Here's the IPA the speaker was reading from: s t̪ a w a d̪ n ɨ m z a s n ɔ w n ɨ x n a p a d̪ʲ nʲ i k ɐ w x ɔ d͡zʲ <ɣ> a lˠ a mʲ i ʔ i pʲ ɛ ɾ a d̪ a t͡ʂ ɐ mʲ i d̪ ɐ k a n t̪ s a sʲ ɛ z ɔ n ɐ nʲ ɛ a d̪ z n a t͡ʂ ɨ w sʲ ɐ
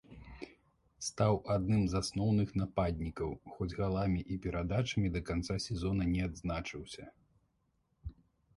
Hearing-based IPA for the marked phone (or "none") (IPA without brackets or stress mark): ɣ